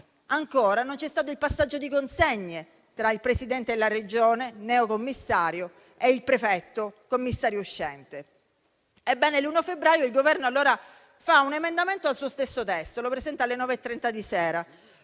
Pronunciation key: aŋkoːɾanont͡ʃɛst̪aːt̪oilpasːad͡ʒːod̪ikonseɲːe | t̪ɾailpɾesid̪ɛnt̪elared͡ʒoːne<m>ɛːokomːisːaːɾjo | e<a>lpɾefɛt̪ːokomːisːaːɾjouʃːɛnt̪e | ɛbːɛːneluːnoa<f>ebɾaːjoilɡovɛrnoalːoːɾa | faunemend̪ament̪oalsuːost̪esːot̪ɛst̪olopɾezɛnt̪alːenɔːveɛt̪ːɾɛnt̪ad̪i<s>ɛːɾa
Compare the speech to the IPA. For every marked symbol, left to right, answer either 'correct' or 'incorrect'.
incorrect: n, incorrect: i, correct, correct

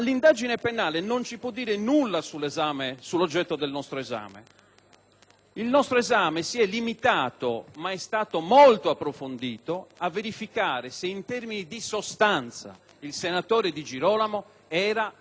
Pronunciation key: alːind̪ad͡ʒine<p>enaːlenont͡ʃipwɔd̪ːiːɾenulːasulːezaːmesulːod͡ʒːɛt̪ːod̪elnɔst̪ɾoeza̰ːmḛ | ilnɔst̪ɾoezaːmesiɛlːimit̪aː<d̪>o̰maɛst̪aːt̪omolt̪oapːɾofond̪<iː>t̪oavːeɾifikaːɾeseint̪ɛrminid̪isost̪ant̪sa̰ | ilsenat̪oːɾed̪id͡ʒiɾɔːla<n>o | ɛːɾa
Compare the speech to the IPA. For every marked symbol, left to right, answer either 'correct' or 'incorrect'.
correct, incorrect: t̪, correct, incorrect: m

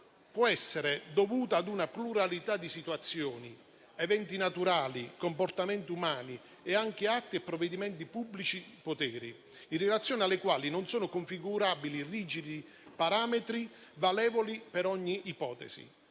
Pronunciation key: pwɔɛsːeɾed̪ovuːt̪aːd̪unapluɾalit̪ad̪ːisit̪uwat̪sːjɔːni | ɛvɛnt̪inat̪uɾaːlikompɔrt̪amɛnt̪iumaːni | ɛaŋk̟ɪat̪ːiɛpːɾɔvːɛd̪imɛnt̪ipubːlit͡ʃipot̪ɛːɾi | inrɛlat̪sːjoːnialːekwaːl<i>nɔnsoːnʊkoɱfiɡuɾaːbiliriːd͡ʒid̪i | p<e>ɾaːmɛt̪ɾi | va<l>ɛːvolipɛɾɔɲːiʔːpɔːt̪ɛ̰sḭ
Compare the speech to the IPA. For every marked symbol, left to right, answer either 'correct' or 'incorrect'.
correct, incorrect: a, correct

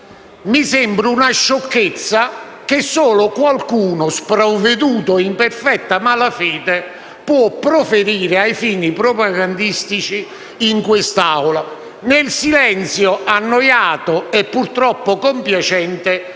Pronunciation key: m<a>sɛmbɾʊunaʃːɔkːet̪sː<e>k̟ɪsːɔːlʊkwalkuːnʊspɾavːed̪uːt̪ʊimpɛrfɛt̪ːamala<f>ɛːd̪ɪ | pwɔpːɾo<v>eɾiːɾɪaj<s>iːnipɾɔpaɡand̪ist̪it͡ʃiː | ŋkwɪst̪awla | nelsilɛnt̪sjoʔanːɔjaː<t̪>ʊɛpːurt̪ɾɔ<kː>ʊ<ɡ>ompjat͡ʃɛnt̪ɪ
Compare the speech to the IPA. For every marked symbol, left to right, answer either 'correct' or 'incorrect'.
incorrect: i, incorrect: a, correct, incorrect: f, incorrect: f, correct, incorrect: pː, incorrect: k

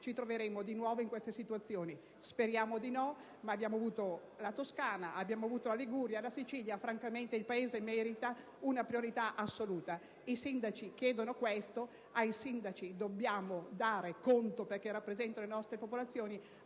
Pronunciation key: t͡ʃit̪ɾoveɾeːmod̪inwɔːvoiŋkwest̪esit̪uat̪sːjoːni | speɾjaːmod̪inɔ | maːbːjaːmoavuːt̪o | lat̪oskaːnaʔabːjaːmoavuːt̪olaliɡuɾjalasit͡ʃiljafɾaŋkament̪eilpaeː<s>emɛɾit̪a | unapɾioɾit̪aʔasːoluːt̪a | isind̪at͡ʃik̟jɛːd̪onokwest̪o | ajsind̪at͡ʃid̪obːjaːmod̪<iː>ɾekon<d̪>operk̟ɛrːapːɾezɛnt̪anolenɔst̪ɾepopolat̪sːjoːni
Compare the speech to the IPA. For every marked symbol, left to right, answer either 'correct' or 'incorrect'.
incorrect: z, incorrect: aː, incorrect: t̪

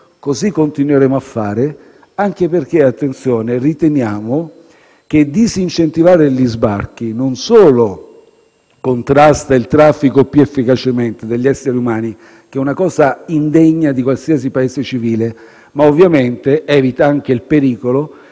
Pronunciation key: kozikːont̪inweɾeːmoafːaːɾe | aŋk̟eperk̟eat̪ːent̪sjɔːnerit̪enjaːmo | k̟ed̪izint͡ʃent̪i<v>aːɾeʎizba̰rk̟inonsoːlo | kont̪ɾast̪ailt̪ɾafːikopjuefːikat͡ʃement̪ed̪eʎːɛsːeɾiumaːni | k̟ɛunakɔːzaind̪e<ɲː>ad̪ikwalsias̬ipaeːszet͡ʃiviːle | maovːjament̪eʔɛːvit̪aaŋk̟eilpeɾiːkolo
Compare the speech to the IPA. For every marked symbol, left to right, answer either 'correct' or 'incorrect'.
correct, correct

